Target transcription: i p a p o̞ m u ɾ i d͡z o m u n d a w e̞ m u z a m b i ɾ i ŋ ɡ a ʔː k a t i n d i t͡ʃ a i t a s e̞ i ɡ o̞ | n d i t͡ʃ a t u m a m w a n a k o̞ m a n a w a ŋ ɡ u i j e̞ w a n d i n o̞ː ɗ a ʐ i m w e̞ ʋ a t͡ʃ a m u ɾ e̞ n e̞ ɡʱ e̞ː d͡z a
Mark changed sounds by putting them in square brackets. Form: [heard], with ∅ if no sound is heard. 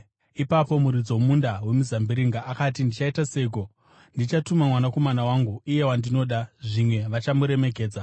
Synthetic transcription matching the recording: i p a p o̞ m u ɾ i d͡z o m u n d a w e̞ m u z a m b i ɾ i ŋ ɡ a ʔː k a t i n d i t͡ʃ a i t a s e̞ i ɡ o̞ | n d i t͡ʃ a t u m a m w a n a k o̞ m a n a w a ŋ ɡ u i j e̞ w a n d i n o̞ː ɗ a ʐ i m w e̞ ʋ a t͡ʃ a m u ɾ e̞ [m] e̞ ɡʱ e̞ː d͡z a